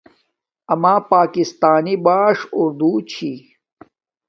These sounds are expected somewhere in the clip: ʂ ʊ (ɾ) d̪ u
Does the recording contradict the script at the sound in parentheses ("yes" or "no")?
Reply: no